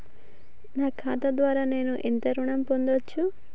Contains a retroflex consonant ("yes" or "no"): yes